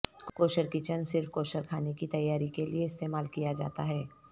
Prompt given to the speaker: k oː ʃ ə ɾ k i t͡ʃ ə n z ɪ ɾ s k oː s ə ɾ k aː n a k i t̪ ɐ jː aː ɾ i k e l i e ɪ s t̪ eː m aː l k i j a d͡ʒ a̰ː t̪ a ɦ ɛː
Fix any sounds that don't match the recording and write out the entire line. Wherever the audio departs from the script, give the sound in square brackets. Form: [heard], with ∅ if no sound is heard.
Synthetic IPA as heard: k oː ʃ ə ɾ k i t͡ʃ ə n [s] ɪ ɾ [f] k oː [ʃ] ə ɾ [kʰ] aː n [e] k i t̪ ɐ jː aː ɾ i k e l i e ɪ s t̪ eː m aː l k i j a d͡ʒ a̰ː t̪ a ɦ ɛː